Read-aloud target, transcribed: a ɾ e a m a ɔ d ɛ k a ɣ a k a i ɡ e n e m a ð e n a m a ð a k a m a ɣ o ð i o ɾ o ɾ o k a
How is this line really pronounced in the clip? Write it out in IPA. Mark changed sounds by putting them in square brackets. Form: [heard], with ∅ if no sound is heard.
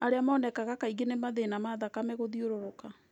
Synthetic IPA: a ɾ e a m a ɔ [n] ɛ k a ɣ a k a i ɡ e n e m a ð e n a m a ð a k a m [ɛ] ɣ o ð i o ɾ o ɾ o k a